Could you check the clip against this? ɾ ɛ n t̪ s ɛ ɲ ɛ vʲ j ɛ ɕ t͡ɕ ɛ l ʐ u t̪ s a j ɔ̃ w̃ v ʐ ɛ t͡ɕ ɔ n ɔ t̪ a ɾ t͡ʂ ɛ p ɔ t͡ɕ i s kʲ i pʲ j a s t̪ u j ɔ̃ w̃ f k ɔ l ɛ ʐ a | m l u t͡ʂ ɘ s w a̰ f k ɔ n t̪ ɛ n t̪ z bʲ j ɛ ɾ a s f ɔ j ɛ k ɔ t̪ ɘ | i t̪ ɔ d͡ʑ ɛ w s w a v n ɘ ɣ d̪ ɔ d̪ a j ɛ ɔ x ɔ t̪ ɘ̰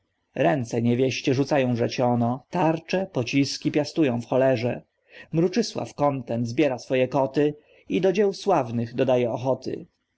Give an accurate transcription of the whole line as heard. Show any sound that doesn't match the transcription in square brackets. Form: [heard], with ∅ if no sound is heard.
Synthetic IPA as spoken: ɾ ɛ n t̪ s ɛ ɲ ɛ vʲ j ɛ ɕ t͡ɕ ɛ [∅] ʐ u t̪ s a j ɔ̃ w̃ v ʐ ɛ t͡ɕ ɔ n ɔ t̪ a ɾ t͡ʂ ɛ p ɔ t͡ɕ i s kʲ i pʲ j a s t̪ u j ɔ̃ w̃ f [x] ɔ l ɛ ʐ [ɛ] | m [ɾ] u t͡ʂ ɘ s w a̰ f k ɔ n t̪ ɛ n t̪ z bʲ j ɛ ɾ a s f ɔ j ɛ k ɔ t̪ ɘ | i [d̪] ɔ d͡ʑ ɛ w s w a v n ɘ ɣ d̪ ɔ d̪ a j ɛ ɔ x ɔ t̪ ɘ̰

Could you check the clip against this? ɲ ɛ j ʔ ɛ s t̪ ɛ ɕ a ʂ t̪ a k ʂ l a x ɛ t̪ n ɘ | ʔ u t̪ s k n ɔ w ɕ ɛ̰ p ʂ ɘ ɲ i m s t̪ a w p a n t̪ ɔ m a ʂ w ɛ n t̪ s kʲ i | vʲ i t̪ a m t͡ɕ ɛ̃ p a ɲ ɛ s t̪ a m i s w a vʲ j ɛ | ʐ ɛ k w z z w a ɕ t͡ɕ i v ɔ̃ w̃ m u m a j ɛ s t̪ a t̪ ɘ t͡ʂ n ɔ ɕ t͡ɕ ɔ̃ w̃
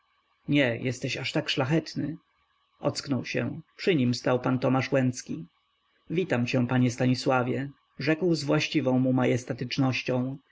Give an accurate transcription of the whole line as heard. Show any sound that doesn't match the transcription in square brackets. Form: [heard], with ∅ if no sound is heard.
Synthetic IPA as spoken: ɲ ɛ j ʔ ɛ s t̪ ɛ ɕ a ʂ t̪ a k ʂ l a x ɛ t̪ n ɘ | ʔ [ɔ] t̪ s k n ɔ w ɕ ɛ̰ p ʂ ɘ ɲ i m s t̪ a w p a n t̪ ɔ m a ʂ w ɛ n t̪ s kʲ i | vʲ i t̪ a m t͡ɕ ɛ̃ p a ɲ ɛ s t̪ a [ɲ] i s w a vʲ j ɛ | ʐ ɛ k w z [v] w a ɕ t͡ɕ i v ɔ̃ w̃ m u m a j ɛ s t̪ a t̪ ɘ t͡ʂ n ɔ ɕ t͡ɕ ɔ̃ w̃

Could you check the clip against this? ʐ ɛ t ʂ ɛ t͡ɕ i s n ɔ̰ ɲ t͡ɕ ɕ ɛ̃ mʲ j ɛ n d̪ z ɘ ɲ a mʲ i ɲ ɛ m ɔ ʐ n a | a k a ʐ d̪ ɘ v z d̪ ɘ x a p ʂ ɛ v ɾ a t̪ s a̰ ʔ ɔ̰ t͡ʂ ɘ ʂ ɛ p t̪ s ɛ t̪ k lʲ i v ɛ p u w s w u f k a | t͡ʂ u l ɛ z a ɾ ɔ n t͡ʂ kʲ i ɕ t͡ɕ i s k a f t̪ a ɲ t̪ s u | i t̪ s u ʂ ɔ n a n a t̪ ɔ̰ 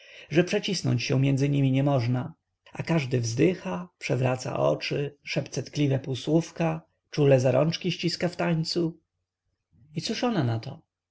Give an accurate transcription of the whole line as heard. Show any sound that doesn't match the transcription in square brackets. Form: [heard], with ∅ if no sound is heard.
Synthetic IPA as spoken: ʐ ɛ [p] ʂ ɛ t͡ɕ i s n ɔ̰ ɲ t͡ɕ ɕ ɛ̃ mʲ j ɛ n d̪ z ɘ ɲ [i] mʲ i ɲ ɛ m ɔ ʐ n a | a k a ʐ d̪ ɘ v z d̪ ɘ x a p ʂ ɛ v ɾ a t̪ s a̰ ʔ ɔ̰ t͡ʂ ɘ ʂ ɛ p t̪ s ɛ t̪ k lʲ i v ɛ p u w s w u f k a | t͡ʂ u l ɛ z a ɾ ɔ n t͡ʂ kʲ i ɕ t͡ɕ i s k a f t̪ a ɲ t̪ s u | i t̪ s u ʂ ɔ n a n a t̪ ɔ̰

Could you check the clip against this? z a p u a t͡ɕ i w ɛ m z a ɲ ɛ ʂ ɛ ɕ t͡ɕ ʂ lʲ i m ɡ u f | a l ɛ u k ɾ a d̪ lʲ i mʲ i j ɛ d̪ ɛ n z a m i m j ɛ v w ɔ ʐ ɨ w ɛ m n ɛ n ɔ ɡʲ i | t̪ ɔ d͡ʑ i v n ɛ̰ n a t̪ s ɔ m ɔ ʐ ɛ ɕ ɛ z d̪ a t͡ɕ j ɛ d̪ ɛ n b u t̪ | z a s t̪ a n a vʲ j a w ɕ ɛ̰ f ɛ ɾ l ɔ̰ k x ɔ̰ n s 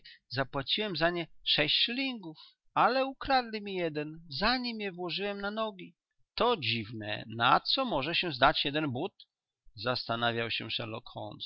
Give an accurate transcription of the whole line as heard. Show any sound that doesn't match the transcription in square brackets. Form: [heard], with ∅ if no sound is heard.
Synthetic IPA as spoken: z a p [w] a t͡ɕ i w ɛ m z a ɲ ɛ ʂ ɛ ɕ t͡ɕ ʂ lʲ i [ŋ] ɡ u f | a l ɛ u k ɾ a d̪ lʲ i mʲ i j ɛ d̪ ɛ n z a [ɲ] i m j ɛ v w ɔ ʐ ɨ w ɛ m n [a] n ɔ ɡʲ i | t̪ ɔ d͡ʑ i v n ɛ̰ n a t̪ s ɔ m ɔ ʐ ɛ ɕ ɛ z d̪ a t͡ɕ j ɛ d̪ ɛ n b u t̪ | z a s t̪ a n a vʲ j a w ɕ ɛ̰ [ʂ] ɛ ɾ l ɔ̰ k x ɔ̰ n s

